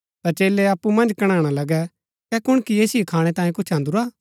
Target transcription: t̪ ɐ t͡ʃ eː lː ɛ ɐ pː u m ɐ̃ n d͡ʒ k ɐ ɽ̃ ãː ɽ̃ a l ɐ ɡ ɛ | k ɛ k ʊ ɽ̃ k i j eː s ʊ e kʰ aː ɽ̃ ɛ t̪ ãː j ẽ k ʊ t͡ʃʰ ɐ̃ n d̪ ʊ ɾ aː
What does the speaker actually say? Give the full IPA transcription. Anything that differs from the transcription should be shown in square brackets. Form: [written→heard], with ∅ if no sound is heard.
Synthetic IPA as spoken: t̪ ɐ t͡ʃ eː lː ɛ ɐ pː u m ɐ̃ n d͡ʒ k ɐ ɽ̃ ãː ɽ̃ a l ɐ ɡ ɛ | k ɛ k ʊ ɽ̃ k i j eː s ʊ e kʰ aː ɽ̃ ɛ t̪ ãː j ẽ k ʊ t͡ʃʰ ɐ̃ n d̪ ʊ ɾ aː

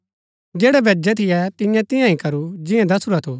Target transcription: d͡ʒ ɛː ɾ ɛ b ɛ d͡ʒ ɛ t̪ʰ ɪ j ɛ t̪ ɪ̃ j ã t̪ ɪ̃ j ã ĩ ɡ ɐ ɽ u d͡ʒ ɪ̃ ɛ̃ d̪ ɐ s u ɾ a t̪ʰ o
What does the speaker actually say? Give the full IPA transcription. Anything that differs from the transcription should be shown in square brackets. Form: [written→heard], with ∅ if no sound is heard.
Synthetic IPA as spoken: d͡ʒ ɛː [ɾ→ɽ] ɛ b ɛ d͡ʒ ɛ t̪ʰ ɪ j ɛ t̪ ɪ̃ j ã t̪ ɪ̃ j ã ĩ [ɡ→k] ɐ [ɽ→ɾ] u d͡ʒ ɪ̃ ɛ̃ d̪ ɐ s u ɾ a t̪ʰ o

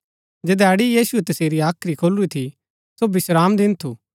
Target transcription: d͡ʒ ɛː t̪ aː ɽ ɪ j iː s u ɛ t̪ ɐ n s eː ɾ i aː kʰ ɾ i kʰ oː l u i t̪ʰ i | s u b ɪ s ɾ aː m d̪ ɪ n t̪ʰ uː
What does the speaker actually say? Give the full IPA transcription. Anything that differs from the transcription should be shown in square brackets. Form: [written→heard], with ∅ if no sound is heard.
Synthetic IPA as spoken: d͡ʒ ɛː [t̪→d̪] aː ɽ [ɪ→i] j iː s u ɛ t̪ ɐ [n→∅] s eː ɾ i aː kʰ ɾ i kʰ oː l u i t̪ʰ i | s [u→o] b ɪ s ɾ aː m d̪ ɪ n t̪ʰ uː

